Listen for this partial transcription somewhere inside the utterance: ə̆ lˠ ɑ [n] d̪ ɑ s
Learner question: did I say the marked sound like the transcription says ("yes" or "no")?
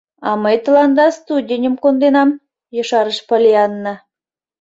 yes